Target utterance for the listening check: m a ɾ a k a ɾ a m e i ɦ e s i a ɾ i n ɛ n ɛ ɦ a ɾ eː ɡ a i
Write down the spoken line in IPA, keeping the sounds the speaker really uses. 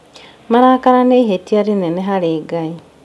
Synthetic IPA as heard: m a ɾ a k a ɾ a n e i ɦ e t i a ɾ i n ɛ n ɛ ɦ a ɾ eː ɡ a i